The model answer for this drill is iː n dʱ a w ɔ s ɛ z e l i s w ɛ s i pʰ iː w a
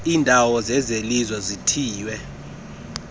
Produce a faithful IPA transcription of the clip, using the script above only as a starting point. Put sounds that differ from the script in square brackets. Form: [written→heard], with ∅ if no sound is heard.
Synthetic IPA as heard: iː n dʱ a w ɔ [s→z] ɛ z e l i [s→z] w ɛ [s→z] i [pʰ→tʰ] iː w [a→ɛ]